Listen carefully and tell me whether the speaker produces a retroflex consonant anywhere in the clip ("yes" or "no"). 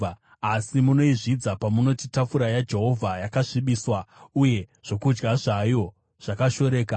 yes